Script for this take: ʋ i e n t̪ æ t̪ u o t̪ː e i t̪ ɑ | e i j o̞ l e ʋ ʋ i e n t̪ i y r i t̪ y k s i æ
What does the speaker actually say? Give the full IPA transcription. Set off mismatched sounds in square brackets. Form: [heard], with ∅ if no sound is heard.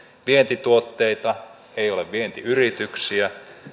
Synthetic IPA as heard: ʋ i e n t̪ [i] t̪ u o t̪ː e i t̪ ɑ | e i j o̞ l e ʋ ʋ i e n t̪ i y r i t̪ y k s i æ